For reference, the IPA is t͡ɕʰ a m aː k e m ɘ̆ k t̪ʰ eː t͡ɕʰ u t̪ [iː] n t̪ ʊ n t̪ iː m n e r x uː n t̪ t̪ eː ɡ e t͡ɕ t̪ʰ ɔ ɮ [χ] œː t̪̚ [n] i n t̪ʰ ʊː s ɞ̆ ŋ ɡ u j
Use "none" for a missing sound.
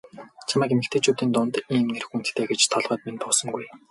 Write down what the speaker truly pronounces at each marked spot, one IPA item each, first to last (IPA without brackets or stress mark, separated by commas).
iː, ʁ, m